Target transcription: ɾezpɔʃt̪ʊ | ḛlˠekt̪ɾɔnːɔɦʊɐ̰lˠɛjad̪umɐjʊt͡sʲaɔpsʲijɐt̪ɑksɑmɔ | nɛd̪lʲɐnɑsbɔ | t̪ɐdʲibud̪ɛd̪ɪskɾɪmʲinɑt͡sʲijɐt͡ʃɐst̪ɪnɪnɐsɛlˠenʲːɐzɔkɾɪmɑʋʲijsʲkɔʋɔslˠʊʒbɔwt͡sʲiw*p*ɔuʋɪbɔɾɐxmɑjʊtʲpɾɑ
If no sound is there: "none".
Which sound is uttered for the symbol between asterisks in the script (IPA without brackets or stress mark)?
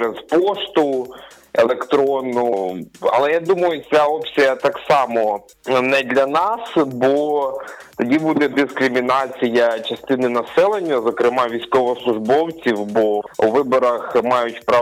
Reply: b